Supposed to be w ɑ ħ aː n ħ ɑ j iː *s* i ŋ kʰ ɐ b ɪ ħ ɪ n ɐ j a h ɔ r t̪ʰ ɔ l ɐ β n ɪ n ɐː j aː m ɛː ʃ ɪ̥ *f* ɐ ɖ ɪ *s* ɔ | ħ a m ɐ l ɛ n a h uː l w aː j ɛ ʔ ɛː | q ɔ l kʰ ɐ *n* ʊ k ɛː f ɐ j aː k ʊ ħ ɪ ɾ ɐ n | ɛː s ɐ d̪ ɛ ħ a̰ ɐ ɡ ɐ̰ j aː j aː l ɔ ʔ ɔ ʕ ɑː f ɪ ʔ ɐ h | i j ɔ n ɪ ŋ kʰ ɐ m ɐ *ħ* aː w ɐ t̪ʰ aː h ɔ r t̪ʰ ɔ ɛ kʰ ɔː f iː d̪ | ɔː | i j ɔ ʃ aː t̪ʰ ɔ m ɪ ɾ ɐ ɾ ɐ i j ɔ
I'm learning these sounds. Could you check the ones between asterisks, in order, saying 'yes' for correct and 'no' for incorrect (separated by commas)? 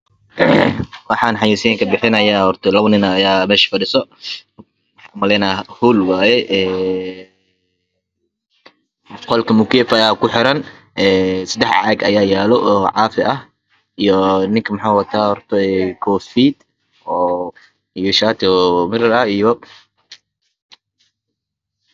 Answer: yes, yes, yes, no, yes